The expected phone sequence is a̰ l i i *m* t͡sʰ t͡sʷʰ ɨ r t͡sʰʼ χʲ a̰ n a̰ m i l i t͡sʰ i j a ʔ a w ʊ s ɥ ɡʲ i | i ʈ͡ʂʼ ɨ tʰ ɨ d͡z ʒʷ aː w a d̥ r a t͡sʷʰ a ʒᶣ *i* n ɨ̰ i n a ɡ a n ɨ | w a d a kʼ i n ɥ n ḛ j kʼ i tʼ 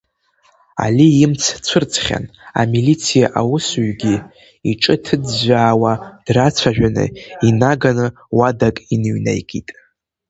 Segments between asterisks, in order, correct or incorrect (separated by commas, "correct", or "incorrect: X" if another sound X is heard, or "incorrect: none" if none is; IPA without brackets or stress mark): correct, incorrect: a